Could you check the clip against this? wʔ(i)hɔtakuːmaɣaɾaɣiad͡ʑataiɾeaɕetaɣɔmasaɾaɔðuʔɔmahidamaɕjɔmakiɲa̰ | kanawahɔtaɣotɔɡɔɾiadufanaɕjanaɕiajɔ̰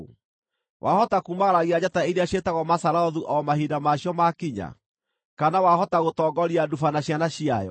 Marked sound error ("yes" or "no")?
yes